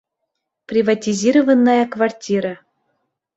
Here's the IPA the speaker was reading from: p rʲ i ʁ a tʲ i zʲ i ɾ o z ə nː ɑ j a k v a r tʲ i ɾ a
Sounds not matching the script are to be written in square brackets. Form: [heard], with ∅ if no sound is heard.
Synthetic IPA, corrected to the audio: p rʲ i [v] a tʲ i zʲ i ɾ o [v] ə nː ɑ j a k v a r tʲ i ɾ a